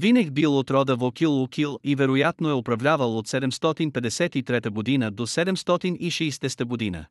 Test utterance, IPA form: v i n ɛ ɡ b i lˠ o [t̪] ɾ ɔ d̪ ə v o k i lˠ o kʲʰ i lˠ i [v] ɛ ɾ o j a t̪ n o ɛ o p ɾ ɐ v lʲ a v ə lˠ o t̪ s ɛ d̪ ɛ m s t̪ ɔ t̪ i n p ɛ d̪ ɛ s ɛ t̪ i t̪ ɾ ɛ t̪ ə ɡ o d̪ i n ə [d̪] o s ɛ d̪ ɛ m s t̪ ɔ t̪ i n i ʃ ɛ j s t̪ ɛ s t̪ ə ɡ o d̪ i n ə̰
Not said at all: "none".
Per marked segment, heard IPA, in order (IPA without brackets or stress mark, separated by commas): t̪, v, d̪